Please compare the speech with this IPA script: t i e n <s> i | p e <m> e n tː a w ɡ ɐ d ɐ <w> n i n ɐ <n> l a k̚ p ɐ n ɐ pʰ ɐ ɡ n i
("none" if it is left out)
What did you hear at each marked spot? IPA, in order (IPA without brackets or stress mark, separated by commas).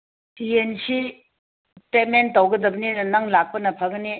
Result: s, m, b, ŋ